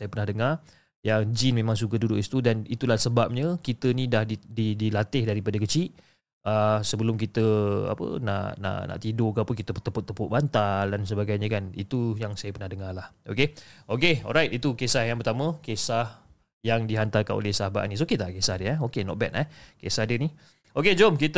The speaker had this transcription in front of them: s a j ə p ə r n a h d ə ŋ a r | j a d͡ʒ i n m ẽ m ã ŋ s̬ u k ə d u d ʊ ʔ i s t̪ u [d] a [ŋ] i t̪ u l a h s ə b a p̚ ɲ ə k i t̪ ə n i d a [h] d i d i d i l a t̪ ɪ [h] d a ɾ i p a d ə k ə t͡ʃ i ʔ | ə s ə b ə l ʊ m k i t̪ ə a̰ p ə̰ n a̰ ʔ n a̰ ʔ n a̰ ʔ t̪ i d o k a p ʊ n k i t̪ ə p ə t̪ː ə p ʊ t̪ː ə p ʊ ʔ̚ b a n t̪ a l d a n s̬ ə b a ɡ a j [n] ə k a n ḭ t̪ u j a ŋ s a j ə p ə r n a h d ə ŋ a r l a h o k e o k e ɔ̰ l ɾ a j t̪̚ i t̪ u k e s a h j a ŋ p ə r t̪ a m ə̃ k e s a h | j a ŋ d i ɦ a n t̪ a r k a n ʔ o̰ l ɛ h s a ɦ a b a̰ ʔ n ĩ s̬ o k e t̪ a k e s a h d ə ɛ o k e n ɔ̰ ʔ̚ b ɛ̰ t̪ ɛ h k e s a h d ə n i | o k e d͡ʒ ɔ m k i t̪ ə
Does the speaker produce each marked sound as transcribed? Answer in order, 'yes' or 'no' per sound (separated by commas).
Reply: yes, no, yes, yes, no